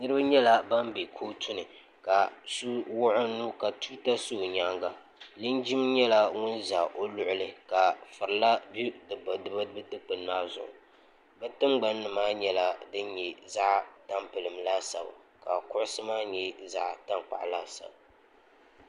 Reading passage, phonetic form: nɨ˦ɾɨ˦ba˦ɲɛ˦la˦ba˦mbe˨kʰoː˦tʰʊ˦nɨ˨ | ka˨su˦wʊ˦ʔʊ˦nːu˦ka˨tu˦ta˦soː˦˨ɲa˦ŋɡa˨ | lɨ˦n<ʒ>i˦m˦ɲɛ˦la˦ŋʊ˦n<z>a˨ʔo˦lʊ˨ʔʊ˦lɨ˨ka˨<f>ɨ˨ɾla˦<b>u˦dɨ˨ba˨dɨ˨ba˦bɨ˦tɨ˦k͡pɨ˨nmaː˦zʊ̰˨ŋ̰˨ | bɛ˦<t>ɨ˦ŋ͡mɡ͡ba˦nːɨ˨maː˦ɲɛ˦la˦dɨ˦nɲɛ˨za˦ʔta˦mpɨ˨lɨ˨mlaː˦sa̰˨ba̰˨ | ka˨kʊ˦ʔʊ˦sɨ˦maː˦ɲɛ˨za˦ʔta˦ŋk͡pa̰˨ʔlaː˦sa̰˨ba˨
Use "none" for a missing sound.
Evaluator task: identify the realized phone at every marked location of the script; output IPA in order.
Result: d͡ʒ, z, f, b, t

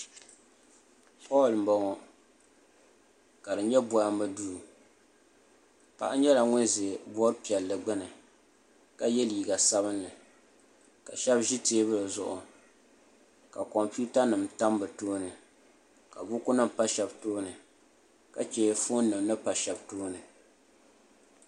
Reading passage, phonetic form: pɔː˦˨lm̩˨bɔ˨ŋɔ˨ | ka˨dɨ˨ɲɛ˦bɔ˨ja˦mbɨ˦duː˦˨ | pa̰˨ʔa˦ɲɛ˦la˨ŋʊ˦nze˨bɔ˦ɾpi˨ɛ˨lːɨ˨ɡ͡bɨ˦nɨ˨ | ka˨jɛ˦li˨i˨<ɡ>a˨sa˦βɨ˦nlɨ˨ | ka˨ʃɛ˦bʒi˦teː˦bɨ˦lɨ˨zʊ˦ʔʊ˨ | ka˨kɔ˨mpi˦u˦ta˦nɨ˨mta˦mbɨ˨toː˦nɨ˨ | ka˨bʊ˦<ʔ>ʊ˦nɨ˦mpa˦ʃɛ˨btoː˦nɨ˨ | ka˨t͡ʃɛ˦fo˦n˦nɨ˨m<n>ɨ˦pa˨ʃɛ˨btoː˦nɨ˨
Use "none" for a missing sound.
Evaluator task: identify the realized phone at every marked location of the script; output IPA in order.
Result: ɡ, k, n

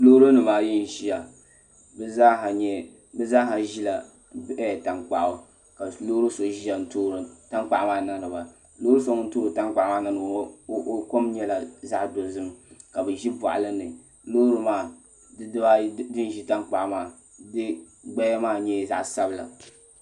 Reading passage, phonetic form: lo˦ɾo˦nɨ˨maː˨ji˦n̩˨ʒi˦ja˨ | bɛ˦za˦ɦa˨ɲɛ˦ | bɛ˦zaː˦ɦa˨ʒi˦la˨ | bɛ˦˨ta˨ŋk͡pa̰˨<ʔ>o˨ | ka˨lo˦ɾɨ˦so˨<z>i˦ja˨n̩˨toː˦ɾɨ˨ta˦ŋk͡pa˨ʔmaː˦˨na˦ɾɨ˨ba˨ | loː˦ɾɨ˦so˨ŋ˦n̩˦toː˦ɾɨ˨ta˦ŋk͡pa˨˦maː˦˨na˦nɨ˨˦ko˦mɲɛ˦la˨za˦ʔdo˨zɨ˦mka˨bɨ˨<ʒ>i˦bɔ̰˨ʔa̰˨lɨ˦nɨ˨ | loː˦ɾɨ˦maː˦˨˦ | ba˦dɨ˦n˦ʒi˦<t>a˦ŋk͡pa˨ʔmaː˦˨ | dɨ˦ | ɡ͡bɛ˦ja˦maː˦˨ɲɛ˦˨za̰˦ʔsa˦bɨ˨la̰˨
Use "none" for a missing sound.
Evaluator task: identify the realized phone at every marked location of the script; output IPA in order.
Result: ʔ, ʒ, ʒ, t

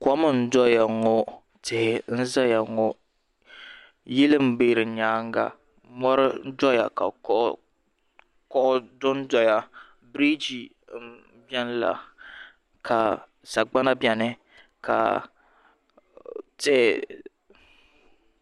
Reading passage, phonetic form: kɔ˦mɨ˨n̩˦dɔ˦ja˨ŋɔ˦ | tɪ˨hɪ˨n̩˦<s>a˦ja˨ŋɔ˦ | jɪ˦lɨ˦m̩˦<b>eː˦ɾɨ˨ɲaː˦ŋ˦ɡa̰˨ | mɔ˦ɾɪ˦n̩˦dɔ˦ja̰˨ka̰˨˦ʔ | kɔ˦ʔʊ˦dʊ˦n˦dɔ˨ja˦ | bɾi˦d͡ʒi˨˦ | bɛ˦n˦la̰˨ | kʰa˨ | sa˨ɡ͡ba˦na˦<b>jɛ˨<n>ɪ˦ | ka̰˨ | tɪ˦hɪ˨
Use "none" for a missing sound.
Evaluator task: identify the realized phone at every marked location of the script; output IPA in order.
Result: z, b, b, n

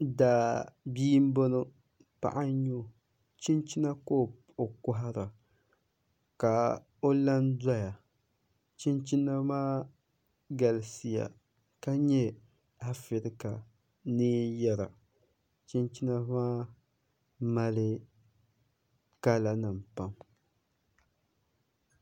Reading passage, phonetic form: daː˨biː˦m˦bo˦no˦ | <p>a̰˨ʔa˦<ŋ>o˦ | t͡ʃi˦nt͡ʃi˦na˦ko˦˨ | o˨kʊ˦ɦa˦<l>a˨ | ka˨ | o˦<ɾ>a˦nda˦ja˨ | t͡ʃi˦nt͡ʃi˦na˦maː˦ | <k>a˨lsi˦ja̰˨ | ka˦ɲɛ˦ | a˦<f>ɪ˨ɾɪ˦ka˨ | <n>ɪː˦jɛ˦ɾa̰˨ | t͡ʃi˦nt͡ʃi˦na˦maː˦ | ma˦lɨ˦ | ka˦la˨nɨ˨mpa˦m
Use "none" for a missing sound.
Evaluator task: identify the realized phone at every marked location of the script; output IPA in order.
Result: p, ɲ, ɾ, l, ɡ, f, n

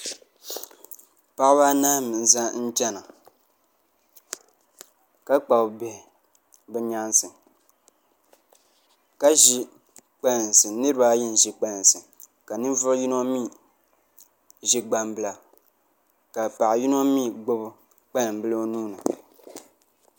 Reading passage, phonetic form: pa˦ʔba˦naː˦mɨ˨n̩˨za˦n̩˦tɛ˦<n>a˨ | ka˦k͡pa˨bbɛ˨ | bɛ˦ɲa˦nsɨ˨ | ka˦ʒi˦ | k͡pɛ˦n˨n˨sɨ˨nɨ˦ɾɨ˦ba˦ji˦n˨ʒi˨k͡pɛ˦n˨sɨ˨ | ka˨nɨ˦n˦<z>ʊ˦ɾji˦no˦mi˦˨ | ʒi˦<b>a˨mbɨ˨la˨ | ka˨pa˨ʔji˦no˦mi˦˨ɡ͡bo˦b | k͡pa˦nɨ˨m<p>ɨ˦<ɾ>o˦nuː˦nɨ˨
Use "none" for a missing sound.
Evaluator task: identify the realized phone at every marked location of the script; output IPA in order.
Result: n, v, ɡ͡b, b, l

